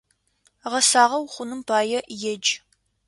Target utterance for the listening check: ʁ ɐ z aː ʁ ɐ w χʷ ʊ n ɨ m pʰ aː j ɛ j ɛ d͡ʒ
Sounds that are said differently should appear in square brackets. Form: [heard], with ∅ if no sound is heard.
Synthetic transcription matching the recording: ʁ ɐ [s] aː ʁ ɐ w χʷ ʊ n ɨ m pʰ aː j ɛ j ɛ d͡ʒ